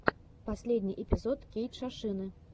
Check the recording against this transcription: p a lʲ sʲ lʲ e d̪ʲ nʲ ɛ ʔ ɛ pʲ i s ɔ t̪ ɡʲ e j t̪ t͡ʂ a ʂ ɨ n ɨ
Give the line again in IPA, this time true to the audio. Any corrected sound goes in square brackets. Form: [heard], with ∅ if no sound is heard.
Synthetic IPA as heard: p a [∅] sʲ lʲ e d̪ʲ nʲ [i] ʔ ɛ pʲ i [z] ɔ t̪ [kʲ] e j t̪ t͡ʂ a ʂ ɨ n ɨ